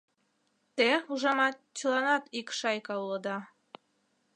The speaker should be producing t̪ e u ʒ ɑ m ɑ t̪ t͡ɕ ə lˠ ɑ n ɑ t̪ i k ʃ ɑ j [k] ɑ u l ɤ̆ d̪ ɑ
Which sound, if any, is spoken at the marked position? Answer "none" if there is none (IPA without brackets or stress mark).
k